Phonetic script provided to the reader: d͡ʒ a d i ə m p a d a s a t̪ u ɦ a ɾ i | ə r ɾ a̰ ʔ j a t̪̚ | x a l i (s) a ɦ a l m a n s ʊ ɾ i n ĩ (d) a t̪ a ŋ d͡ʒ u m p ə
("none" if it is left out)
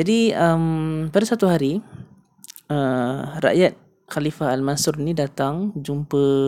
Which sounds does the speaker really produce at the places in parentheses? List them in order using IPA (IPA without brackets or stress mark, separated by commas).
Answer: f, d